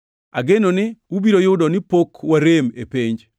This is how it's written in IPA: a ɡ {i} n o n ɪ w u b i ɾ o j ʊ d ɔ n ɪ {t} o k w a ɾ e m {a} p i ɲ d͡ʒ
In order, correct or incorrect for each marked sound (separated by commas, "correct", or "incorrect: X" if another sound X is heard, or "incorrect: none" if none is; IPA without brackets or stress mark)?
incorrect: e, incorrect: p, incorrect: e